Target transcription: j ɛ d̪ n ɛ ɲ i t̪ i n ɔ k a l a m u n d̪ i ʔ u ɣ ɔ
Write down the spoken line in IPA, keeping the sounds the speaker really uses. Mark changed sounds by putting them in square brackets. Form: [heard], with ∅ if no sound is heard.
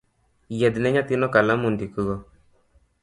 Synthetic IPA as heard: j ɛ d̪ n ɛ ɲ [a] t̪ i n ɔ k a l a m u n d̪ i [k] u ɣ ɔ